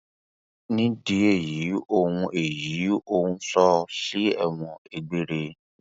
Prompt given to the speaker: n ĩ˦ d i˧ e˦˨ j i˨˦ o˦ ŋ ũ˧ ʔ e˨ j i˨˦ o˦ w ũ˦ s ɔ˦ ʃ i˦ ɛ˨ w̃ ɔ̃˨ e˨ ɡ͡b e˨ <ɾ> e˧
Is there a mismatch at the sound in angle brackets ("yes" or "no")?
no